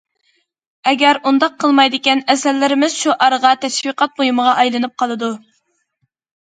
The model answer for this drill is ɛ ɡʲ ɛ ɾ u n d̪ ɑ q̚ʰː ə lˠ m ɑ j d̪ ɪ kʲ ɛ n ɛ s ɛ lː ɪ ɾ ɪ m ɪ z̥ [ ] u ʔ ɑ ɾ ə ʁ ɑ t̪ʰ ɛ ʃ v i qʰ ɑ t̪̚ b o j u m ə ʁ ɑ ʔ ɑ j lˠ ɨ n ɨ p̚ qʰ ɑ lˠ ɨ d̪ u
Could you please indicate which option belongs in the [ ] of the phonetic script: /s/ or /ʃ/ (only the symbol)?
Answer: ʃ